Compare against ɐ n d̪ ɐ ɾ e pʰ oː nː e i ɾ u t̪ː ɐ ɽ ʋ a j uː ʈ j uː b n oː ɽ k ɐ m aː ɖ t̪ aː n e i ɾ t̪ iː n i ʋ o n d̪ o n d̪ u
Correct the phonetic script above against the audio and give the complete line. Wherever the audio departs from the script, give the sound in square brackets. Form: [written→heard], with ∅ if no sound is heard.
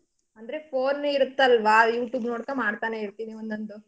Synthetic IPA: ɐ n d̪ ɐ ɾ e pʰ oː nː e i ɾ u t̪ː ɐ [ɽ→l] ʋ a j uː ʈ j uː b n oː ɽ k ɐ m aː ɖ t̪ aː n e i ɾ t̪ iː n i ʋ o n d̪ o n d̪ u